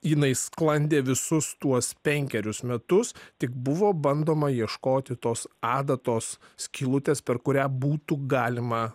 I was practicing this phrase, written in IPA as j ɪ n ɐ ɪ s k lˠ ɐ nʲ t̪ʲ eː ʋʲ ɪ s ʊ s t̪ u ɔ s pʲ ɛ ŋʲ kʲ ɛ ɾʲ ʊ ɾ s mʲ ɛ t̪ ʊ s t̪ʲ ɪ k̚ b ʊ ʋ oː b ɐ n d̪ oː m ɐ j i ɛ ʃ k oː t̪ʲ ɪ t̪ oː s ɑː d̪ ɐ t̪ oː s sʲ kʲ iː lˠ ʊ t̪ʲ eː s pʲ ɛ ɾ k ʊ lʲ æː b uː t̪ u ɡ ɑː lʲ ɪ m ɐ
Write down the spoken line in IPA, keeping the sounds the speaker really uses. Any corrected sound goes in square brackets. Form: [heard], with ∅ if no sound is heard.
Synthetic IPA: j ɪ n ɐ ɪ s k lˠ ɐ nʲ [d̪ʲ] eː ʋʲ ɪ s ʊ s t̪ u ɔ s pʲ ɛ ŋʲ kʲ ɛ ɾʲ ʊ [∅] s mʲ ɛ t̪ ʊ s t̪ʲ ɪ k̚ b ʊ ʋ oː b ɐ n d̪ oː m ɐ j i ɛ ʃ k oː t̪ʲ ɪ t̪ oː s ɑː d̪ ɐ t̪ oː s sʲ kʲ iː lˠ ʊ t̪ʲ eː s pʲ ɛ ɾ k ʊ [ɾʲ] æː b uː t̪ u ɡ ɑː lʲ ɪ m ɐ

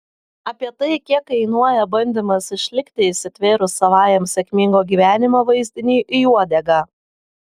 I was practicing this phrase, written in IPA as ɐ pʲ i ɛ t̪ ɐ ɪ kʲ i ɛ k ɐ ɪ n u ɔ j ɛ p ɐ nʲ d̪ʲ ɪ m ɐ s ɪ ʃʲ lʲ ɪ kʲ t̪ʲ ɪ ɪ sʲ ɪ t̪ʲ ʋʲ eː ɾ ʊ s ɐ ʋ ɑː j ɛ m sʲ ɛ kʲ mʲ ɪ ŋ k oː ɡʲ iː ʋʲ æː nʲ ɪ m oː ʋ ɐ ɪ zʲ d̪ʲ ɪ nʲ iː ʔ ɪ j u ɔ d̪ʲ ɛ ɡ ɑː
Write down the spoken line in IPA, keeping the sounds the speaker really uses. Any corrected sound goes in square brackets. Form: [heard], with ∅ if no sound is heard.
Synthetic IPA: ɐ pʲ i ɛ t̪ ɐ ɪ kʲ i ɛ k ɐ ɪ n u ɔ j ɛ [b] ɐ nʲ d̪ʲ ɪ m ɐ s ɪ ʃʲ lʲ ɪ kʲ t̪ʲ ɪ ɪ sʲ ɪ t̪ʲ ʋʲ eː ɾ ʊ s ɐ ʋ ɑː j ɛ m sʲ ɛ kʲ mʲ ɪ ŋ [ɡ] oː ɡʲ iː ʋʲ æː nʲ ɪ m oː ʋ ɐ ɪ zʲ d̪ʲ ɪ nʲ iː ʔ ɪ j u ɔ d̪ʲ ɛ ɡ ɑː

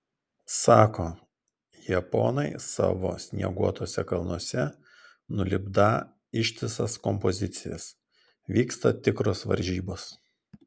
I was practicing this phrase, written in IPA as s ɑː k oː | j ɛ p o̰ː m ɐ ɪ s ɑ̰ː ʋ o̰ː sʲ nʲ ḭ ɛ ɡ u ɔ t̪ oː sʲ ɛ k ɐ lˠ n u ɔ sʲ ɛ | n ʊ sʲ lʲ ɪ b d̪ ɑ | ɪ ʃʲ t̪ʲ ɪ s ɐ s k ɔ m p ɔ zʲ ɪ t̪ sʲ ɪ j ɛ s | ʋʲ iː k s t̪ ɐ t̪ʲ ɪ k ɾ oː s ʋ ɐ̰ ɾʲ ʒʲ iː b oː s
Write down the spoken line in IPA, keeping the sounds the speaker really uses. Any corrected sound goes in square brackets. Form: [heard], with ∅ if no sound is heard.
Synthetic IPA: s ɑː k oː | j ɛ p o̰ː [n] ɐ ɪ s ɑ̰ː ʋ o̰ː sʲ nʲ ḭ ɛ ɡ u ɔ t̪ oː sʲ ɛ k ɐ lˠ n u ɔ sʲ ɛ | n ʊ [∅] lʲ ɪ b d̪ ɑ | ɪ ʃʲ t̪ʲ ɪ s ɐ s k ɔ m p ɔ zʲ ɪ t̪ sʲ ɪ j ɛ s | ʋʲ iː k s t̪ ɐ t̪ʲ ɪ k ɾ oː s ʋ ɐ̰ ɾʲ ʒʲ iː b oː s

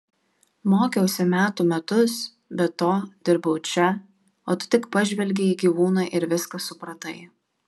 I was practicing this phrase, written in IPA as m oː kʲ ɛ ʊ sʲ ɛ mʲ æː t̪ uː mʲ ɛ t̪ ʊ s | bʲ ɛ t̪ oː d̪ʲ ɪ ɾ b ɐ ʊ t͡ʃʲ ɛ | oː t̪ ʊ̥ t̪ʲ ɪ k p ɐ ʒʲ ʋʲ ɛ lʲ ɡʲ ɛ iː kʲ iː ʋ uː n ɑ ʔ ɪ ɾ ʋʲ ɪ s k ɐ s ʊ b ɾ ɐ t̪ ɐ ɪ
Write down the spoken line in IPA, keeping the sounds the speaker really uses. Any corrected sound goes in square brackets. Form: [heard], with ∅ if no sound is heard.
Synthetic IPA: m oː kʲ ɛ ʊ sʲ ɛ mʲ æː t̪ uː mʲ ɛ t̪ ʊ s | bʲ ɛ t̪ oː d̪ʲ ɪ ɾ b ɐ ʊ t͡ʃʲ ɛ | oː t̪ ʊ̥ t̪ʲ ɪ k p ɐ ʒʲ ʋʲ ɛ lʲ ɡʲ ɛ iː [ɡʲ] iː ʋ uː n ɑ ʔ ɪ ɾ ʋʲ ɪ s k ɐ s ʊ [p] ɾ ɐ t̪ ɐ ɪ

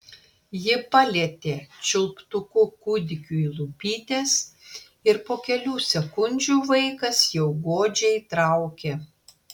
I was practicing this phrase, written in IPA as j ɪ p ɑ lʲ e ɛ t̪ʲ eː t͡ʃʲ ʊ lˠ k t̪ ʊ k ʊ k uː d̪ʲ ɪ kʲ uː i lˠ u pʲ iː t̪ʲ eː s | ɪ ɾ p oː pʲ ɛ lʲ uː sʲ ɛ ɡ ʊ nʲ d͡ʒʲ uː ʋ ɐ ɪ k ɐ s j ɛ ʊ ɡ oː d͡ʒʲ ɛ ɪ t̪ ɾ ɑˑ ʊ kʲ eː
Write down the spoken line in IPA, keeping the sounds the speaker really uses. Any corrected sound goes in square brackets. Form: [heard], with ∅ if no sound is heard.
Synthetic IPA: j ɪ p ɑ lʲ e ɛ t̪ʲ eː t͡ʃʲ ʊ lˠ [p] t̪ ʊ k ʊ k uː d̪ʲ ɪ kʲ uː i lˠ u pʲ iː t̪ʲ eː s | ɪ ɾ p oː [kʲ] ɛ lʲ uː sʲ ɛ [k] ʊ nʲ d͡ʒʲ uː ʋ ɐ ɪ k ɐ s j ɛ ʊ ɡ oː d͡ʒʲ ɛ ɪ t̪ ɾ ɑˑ ʊ kʲ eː

